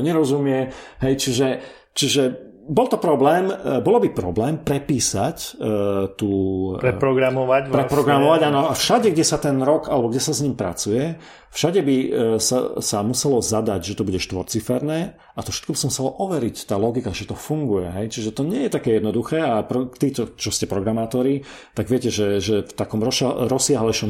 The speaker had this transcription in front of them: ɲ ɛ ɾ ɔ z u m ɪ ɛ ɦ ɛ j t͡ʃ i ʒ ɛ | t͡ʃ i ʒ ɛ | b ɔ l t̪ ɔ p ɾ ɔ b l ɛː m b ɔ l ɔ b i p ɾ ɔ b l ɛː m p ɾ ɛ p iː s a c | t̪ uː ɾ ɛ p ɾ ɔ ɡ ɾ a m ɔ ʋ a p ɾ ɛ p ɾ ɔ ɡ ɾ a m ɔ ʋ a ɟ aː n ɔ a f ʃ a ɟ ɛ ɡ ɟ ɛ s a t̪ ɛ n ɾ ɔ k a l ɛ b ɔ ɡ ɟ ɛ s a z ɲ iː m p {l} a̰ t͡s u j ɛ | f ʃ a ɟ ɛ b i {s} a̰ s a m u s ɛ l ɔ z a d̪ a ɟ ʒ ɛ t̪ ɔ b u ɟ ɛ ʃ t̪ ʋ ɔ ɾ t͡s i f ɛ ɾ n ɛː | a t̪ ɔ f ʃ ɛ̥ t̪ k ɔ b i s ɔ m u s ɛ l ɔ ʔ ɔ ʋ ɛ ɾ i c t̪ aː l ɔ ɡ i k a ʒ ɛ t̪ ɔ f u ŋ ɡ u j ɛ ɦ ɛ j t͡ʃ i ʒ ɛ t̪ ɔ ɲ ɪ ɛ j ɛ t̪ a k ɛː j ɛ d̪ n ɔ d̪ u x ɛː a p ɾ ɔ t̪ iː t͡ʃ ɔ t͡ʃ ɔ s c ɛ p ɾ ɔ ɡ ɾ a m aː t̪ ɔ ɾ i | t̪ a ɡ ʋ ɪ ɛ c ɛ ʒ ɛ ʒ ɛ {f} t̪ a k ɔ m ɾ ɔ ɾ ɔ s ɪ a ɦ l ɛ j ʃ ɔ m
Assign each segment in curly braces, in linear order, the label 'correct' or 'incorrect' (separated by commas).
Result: incorrect, correct, correct